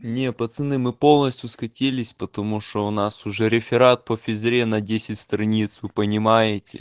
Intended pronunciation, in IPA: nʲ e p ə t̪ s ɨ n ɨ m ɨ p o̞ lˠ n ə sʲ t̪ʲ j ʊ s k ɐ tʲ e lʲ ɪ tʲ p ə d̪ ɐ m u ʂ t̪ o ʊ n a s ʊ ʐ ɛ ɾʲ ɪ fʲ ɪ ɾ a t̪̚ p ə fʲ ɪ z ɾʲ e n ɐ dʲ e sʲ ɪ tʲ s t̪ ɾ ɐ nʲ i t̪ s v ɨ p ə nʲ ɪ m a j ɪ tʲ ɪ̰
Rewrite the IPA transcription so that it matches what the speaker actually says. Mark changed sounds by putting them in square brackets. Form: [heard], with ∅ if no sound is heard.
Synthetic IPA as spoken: nʲ e p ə t̪ s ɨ n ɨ m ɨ p o̞ lˠ n ə sʲ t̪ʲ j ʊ s k ɐ tʲ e lʲ ɪ [sʲ] p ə [t̪] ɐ m u ʂ t̪ o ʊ n a s ʊ ʐ ɛ ɾʲ ɪ fʲ ɪ ɾ a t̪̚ p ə fʲ ɪ z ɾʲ e n ɐ dʲ e sʲ ɪ tʲ s t̪ ɾ ɐ nʲ i t̪ s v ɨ p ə nʲ ɪ m a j ɪ tʲ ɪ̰